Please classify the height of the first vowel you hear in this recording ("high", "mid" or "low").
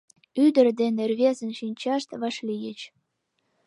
high